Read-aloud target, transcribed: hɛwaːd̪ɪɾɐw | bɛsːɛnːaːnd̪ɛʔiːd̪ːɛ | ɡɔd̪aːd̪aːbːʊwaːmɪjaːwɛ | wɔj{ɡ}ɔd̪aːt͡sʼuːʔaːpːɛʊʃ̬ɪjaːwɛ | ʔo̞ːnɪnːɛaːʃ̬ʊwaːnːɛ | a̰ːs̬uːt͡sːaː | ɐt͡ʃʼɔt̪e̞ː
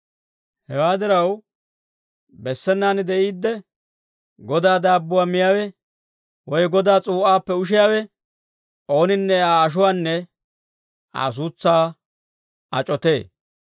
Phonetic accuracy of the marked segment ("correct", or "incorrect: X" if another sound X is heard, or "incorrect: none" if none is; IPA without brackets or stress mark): correct